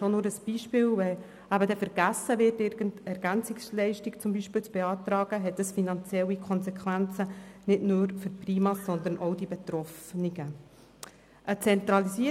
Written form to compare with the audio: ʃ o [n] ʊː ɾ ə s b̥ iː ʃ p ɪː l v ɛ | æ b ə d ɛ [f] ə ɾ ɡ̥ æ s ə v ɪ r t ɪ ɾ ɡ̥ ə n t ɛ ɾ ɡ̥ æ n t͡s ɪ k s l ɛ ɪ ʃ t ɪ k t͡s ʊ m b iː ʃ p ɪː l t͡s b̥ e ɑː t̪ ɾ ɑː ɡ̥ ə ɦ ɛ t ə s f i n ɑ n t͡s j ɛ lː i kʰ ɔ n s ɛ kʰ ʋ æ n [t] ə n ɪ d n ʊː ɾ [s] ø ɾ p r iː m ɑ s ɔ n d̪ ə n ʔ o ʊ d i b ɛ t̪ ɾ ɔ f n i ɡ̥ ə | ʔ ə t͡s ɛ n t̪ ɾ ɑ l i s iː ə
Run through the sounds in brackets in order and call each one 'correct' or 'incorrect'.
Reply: correct, correct, incorrect: t͡s, incorrect: f

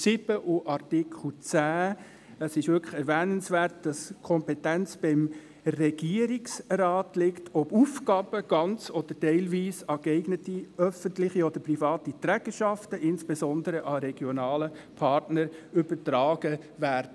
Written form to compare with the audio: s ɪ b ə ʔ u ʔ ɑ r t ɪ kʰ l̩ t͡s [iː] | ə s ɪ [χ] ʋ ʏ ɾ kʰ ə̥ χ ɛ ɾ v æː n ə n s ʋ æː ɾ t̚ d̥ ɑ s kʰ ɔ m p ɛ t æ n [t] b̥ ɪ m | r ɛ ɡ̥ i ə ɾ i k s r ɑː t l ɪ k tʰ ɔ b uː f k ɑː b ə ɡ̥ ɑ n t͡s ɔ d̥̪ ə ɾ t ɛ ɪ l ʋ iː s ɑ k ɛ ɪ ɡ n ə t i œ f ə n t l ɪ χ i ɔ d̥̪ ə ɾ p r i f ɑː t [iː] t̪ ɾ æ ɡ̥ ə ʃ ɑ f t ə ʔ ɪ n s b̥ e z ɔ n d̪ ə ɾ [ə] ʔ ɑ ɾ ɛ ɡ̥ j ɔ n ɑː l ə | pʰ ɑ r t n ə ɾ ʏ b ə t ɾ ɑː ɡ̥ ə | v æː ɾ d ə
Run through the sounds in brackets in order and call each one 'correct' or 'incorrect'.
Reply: incorrect: æː, incorrect: ʃ, incorrect: t͡s, incorrect: i, correct

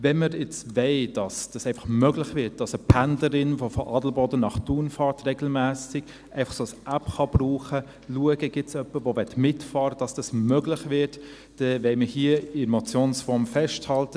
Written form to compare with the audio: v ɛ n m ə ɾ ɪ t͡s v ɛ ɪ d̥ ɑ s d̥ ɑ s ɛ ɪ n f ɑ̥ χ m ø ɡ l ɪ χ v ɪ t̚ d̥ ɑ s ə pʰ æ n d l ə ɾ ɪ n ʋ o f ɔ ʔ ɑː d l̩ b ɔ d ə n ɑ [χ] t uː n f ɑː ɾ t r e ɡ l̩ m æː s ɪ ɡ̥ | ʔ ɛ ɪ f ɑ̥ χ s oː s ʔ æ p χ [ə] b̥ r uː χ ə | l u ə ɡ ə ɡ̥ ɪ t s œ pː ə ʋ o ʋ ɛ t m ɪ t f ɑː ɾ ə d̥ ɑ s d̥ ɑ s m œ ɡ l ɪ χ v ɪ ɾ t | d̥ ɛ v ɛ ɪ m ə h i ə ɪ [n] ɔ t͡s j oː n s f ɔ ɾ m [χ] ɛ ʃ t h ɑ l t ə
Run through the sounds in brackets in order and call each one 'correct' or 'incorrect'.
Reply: correct, incorrect: ɑ, incorrect: m, incorrect: f

